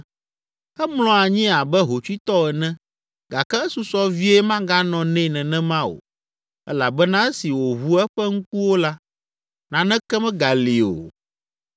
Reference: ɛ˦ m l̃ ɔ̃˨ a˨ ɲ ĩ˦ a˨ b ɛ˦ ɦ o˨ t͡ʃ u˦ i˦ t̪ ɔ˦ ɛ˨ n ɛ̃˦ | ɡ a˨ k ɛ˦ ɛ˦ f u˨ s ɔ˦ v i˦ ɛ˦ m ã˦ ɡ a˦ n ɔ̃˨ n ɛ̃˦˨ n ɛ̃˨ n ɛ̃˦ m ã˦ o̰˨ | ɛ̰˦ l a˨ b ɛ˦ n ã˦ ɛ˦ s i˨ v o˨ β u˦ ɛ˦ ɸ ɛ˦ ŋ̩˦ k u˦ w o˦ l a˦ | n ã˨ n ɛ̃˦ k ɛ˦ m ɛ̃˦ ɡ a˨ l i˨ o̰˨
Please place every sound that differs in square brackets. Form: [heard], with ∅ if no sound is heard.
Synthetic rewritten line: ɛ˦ m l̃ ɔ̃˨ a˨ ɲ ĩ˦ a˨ b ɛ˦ ɦ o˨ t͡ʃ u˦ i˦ t̪ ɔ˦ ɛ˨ n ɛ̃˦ | ɡ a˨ k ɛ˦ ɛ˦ [s] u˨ s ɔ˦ v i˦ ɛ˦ m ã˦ ɡ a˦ n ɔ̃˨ n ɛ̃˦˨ n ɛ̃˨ n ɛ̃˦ m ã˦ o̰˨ | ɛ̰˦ l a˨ b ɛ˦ n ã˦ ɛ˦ s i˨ [w] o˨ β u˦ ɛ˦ ɸ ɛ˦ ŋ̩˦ k u˦ w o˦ l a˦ | n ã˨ n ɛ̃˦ k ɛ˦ m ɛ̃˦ ɡ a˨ l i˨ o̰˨